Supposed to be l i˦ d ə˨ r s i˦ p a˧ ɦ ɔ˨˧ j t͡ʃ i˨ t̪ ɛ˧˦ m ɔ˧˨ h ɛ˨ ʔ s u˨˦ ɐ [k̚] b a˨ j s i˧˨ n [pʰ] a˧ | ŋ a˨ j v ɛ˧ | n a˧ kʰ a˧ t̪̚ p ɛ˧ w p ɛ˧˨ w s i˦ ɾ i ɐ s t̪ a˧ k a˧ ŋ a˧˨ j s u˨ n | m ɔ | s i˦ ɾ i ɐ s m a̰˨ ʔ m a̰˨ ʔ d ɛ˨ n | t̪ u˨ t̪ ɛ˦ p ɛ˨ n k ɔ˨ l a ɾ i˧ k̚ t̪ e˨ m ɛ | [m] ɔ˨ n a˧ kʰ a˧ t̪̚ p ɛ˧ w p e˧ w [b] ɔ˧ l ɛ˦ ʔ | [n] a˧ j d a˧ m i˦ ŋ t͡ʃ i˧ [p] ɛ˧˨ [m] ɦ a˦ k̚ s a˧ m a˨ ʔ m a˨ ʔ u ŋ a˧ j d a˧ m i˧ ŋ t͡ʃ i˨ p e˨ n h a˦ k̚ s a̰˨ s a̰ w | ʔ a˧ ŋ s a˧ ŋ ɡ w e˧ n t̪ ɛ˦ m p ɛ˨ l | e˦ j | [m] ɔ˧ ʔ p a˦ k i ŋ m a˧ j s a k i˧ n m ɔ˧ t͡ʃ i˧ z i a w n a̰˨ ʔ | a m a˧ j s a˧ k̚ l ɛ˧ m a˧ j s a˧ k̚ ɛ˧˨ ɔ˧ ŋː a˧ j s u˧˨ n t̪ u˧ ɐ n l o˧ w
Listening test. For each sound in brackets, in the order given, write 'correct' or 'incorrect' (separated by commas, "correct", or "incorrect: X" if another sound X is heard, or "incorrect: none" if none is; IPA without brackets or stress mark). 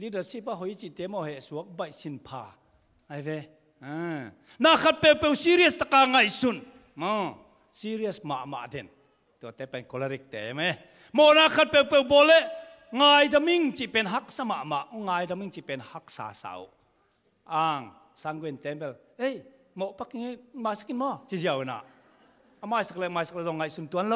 correct, correct, correct, correct, incorrect: ŋ, correct, incorrect: n, correct